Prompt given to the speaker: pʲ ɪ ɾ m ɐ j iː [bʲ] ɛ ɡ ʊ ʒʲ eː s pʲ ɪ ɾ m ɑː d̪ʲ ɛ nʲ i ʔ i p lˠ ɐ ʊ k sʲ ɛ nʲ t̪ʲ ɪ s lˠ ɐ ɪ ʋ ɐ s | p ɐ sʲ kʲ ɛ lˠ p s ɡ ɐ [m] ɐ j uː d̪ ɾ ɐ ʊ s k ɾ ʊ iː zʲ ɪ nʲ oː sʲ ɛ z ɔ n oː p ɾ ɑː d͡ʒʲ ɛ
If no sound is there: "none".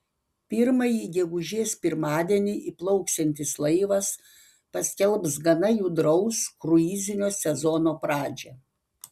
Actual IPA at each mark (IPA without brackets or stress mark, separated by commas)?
ɡʲ, n